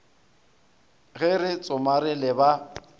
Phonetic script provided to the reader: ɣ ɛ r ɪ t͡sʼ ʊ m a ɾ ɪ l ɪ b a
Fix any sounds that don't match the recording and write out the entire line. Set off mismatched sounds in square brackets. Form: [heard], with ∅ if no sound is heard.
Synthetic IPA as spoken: ɣ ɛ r ɪ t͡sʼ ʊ m a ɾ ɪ l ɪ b a